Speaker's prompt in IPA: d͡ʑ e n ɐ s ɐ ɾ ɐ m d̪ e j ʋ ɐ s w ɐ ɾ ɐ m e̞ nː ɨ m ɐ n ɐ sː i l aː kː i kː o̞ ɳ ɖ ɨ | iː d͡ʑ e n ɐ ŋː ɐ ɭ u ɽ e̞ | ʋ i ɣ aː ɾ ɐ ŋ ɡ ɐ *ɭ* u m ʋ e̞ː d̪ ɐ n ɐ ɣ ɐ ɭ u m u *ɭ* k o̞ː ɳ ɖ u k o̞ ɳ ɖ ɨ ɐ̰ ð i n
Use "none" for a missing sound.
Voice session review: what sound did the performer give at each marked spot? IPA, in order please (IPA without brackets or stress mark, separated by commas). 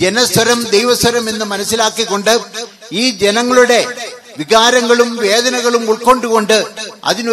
ɭ, ɭ